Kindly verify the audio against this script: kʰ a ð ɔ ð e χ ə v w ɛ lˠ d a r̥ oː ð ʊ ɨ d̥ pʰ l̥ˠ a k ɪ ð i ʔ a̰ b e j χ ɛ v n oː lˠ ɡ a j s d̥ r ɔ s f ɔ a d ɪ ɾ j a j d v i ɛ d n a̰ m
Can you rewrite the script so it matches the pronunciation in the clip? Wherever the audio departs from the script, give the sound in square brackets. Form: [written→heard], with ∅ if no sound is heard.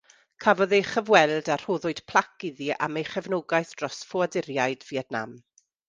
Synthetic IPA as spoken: kʰ a [ð→v] ɔ ð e χ ə v w ɛ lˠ d a r̥ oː ð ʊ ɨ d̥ pʰ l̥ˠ a k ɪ ð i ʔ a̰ [b→m] e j χ ɛ v n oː [lˠ→∅] ɡ a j [s→θ] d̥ r ɔ s f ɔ a d ɪ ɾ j a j d v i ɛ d n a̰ m